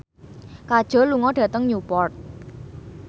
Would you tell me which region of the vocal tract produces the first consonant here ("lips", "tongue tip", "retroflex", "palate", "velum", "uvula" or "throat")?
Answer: velum